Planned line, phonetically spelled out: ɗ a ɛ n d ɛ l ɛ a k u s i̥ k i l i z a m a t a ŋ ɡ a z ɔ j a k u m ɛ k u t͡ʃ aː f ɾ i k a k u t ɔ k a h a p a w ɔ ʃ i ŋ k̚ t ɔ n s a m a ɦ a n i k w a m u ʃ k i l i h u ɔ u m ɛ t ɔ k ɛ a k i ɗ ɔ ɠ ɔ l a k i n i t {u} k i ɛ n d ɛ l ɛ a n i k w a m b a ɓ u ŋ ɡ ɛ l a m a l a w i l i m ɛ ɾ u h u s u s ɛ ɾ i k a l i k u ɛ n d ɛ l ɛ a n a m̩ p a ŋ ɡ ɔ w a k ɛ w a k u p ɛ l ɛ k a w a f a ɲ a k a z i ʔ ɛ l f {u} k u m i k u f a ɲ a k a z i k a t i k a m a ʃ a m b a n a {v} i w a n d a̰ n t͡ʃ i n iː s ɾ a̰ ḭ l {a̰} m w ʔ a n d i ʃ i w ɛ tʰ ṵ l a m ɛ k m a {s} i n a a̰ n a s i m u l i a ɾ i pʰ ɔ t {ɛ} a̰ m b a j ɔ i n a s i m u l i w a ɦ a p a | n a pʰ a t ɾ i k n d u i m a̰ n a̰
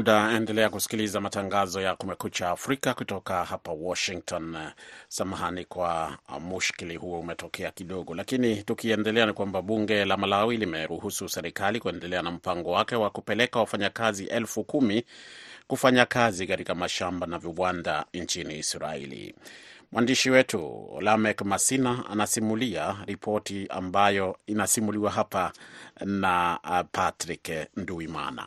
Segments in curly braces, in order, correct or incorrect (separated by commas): correct, correct, correct, incorrect, correct, incorrect